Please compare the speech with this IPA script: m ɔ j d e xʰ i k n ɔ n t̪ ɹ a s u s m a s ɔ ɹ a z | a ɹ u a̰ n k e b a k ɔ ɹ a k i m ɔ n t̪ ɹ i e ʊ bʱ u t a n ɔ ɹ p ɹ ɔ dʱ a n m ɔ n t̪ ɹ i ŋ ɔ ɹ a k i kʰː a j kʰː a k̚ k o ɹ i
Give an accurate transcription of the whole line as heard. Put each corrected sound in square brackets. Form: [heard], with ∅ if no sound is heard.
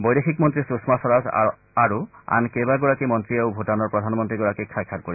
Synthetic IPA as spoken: [b] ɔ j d e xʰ i k [m] ɔ n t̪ ɹ [i] s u s m a s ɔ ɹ a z | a ɹ u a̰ n k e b a [ɡ] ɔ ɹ a k i m ɔ n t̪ ɹ i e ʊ bʱ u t a n ɔ ɹ p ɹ ɔ dʱ a n m ɔ n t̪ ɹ i [ɡ] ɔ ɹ a k i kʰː a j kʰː a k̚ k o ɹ i